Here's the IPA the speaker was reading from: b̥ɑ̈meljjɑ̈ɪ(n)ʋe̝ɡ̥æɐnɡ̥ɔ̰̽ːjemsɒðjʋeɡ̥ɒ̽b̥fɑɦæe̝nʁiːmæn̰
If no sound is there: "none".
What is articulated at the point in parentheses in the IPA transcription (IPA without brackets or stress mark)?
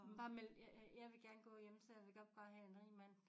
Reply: none